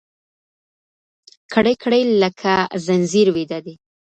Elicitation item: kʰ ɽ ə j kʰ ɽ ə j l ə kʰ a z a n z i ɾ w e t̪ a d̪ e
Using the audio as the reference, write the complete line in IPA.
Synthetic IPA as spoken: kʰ ɽ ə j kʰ ɽ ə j l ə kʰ a z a n z i ɾ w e d̪ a d̪ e